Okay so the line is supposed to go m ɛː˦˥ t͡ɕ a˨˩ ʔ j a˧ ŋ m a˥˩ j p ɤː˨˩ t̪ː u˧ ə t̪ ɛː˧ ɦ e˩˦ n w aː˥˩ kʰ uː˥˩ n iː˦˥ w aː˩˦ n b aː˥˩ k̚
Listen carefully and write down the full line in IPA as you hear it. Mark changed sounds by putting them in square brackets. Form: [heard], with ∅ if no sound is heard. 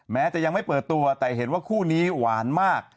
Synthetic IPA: m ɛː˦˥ t͡ɕ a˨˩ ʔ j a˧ ŋ m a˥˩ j p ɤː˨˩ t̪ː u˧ [ɐ] t̪ [ɛː˨˩] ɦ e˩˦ n w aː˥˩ kʰ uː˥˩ n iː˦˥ w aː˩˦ n [m] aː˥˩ k̚